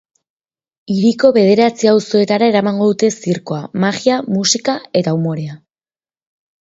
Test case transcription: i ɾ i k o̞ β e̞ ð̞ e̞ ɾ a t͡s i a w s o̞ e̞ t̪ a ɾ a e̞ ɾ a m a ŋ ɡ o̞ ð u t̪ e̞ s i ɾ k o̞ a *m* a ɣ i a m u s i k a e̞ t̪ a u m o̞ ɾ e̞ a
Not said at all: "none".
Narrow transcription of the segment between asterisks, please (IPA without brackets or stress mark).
m